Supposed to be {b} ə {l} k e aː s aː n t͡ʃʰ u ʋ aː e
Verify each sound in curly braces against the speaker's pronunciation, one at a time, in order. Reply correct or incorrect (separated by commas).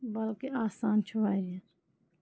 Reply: correct, correct